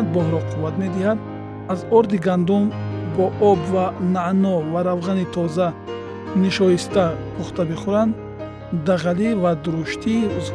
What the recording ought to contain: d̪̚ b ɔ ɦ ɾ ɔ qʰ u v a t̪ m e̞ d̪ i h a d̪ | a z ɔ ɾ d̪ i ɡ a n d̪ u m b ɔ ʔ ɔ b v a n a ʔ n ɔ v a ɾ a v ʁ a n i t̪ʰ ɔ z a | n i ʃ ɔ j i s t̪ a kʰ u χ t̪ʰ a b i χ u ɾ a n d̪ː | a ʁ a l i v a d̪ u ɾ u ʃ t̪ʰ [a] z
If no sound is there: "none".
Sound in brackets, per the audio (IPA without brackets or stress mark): i